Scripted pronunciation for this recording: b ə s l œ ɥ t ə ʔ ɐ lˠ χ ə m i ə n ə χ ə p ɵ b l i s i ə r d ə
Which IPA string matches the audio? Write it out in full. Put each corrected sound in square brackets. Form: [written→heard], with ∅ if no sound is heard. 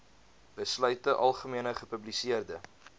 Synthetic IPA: b ə s l œ ɥ t ə ʔ ɐ lˠ χ ə m i ə n ə χ ə p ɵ b l i s i ə r d ə

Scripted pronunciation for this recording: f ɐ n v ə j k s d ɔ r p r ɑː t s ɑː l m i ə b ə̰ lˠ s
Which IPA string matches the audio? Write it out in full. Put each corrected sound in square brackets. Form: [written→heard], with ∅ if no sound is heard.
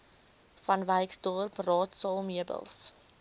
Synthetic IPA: f ɐ n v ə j k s d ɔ r p r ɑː t s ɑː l m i ə b ə̰ lˠ s

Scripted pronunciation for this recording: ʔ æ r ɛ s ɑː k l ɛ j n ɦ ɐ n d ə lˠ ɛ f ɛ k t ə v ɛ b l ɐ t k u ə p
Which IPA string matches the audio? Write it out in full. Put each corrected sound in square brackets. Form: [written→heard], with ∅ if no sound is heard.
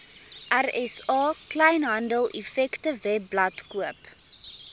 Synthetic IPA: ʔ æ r ɛ s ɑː k l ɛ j n ɦ ɐ n d ə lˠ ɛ f ɛ k t ə v ɛ b l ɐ t k u ə p

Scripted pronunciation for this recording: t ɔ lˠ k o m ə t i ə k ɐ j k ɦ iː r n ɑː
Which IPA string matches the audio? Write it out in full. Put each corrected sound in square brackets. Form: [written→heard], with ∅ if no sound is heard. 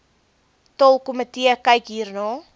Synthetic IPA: t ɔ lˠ k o m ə t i ə k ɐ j k ɦ iː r n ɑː

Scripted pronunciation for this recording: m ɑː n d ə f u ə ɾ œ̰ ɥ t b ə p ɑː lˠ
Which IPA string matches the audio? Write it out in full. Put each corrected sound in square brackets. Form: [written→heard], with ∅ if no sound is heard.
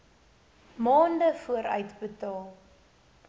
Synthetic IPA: m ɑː n d ə f u ə ɾ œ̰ ɥ t b ə [p→t] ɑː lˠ

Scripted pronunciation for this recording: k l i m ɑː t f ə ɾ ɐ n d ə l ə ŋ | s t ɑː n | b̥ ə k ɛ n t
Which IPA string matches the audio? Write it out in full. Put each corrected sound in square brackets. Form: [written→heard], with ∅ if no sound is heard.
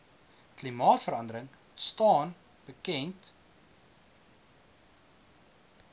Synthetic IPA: k l i m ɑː t f ə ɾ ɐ n d ə [l→ɾ] ə ŋ | s t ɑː n | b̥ ə k ɛ n t

